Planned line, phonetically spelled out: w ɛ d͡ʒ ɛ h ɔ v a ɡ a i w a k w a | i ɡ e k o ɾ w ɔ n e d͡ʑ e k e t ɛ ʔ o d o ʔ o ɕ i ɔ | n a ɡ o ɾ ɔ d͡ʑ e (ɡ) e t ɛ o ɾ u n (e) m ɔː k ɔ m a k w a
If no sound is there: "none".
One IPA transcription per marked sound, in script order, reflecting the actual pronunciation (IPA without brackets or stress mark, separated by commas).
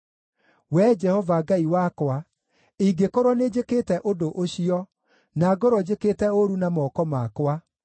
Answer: k, a